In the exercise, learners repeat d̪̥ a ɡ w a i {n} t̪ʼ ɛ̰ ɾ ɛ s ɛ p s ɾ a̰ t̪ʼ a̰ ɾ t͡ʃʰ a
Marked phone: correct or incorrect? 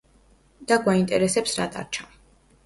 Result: correct